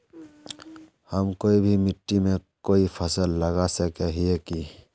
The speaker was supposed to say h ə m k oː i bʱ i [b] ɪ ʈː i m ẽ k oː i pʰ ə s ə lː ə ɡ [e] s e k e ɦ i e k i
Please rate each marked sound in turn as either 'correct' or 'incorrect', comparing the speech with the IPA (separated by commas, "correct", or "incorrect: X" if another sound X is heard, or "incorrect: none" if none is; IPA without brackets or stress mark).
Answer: incorrect: m, incorrect: a